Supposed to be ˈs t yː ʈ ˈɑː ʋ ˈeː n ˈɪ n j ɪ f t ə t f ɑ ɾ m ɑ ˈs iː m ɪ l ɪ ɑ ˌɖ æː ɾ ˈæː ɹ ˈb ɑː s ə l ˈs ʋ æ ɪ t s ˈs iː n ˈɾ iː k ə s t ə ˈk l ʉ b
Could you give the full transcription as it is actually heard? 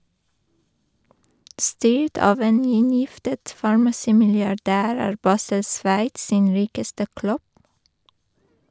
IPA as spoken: ˈs t yː ʈ ˈɑː ʋ ˈeː n ˈɪ n j ɪ f t ə t f ɑ ɹ m ɑ ˈs iː m ɪ l ɪ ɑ ˌɖ æː ɾ ˈæː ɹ ˈb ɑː s ə l ˈs ʋ æ ɪ t s ˈs iː n ˈɾ iː k ə s t ə ˈk l ʉ b

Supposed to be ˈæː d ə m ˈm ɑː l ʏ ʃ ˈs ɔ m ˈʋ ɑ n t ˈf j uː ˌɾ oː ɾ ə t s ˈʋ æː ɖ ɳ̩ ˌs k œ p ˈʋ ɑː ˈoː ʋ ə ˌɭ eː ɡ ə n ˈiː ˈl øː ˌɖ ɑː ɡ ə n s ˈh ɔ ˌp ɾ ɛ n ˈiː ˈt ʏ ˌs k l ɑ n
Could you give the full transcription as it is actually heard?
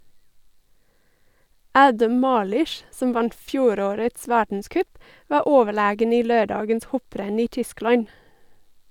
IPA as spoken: ˈæː d ə m ˈm ɑː l ʏ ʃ ˈs ɔ m ˈʋ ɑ n t ˈf j uː ˌɾ oː ɾ ə t s ˈʋ æː ɖ ɳ̩ ˌs k œ p ˈʋ ɑː ˈoː ʋ ə ˌɭ eː ɡ ə n ˈiː ˈl øː ˌɖ ɑː ɡ ə n s ˈh ɔ ˌp ɾ ɛ n ˈiː ˈt ʏ ˌs k l ɑ ɲ

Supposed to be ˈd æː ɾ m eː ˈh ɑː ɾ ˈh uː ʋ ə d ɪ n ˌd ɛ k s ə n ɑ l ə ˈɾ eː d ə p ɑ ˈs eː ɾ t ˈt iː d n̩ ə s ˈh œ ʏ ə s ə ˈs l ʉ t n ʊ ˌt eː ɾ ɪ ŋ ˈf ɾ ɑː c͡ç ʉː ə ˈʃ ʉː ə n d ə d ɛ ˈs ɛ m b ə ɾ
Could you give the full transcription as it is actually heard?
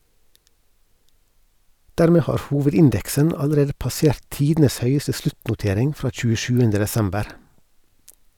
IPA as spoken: ˈd æː ɾ m eː ˈh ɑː ɾ ˈh uː ʋ ə d ɪ n ˌd ɛ k s ə n ɑ l ə ˈɾ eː d ə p ɑ ˈs eː ɾ t ˈt iː d n̩ ə s ˈh œ ʏ ə s ə ˈs l ʉ t n ʊ ˌt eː ɾ ɪ ŋ ˈf ɾ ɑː c͡ç ʉː ə ˈʃ ʉː ə n d ə d ɛ ˈs ɛ m b ə ɾ

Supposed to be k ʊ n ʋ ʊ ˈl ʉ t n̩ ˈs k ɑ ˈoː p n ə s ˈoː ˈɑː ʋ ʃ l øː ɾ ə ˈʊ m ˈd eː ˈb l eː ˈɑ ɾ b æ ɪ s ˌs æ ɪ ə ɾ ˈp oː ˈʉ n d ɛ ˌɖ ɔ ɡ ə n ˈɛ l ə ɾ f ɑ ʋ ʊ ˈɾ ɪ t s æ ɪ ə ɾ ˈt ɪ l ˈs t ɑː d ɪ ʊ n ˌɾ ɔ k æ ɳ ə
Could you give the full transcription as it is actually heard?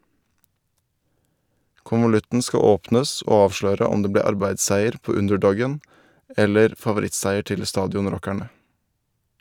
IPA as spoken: k ʊ n ʋ ʊ ˈl ʉ t n̩ ˈs k ɑ ˈoː p n ə s ˈoː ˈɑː ʋ ʃ l øː ɾ ə ˈʊ m ˈd eː ˈb l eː ˈɑ ɾ b æ ɪ s ˌs æ ɪ ə ɾ ˈp oː ˈʉ n d ɛ ˌɖ ɔ ɡ ə n ˈɛ l ə ɾ f ɑ ʋ ʊ ˈɾ ɪ t s æ ɪ ə ɾ ˈt ɪ l ˈs t ɑː d ɪ ʊ n ˌɾ ɔ k æ ɳ ə

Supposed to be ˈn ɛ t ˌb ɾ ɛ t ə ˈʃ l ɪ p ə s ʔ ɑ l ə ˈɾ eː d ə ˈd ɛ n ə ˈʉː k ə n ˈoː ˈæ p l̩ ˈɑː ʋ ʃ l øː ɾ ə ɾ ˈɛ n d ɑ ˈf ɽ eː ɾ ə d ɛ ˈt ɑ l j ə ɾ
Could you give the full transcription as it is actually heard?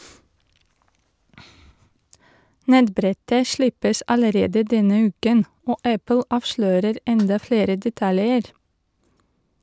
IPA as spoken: ˈn ɛ t ˌb ɾ ɛ t ə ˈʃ l ɪ p ə s ʔ ɑ l ə ˈɾ eː d ə ˈd ɛ n ə ˈʉː k ə n ˈoː ˈæ p l̩ ˈɑː ʋ ʃ l øː ɾ ə ɾ ˈɛ n d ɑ ˈf ɽ eː ɾ ə d ɛ ˈt ɑ l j ə ɾ

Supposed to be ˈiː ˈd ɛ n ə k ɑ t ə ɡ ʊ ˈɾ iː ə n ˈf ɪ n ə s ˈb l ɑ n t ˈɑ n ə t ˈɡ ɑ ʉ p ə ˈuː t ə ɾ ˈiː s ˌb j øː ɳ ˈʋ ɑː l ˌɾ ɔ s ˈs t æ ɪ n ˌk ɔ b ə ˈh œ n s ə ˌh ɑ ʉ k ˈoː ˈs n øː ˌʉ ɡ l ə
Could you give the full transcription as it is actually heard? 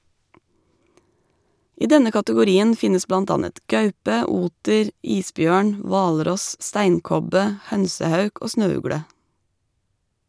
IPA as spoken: ˈiː ˈd ɛ n ə k ɑ t ə ɡ ʊ ˈɾ iː ə n ˈf ɪ n ə s ˈb l ɑ n t ˈɑ n ə t ˈɡ ɑ ʉ p ə ˈuː t ə ɾ ˈiː s ˌb j øː ɳ ˈʋ ɑː l ˌɾ ɔ s ˈs t æ ɪ n ˌk ɔ b ə ˈh œ n s ə ˌh ɑ ʉ k ˈoː ˈs n øː ˌʉ ɡ ɽ ə

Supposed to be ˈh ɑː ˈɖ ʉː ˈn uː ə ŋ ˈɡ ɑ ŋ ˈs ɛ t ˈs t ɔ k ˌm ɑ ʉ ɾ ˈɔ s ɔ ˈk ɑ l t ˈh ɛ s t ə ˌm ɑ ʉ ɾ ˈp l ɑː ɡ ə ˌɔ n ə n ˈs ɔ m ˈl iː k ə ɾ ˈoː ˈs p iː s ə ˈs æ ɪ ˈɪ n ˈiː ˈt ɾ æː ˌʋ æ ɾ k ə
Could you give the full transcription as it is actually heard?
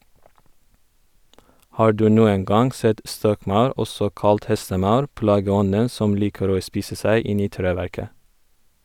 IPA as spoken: ˈh ɑː ˈɖ ʉː ˈn uː ə ŋ ˈɡ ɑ ŋ ˈs ɛ t ˈs t ɔ k ˌm ɑ ʉ ɾ ˈɔ s ɔ ˈk ɑ l t ˈh ɛ s t ə ˌm ɑ ʉ ɾ ˈp l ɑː ɡ ə ˌɔ n ə n ˈs ɔ m ˈl iː k ə ɾ ˈoː ˈs p iː s ə ˈs æ ɪ ˈɪ n ˈiː ˈt ɾ eː ˌʋ æ ɾ k ə

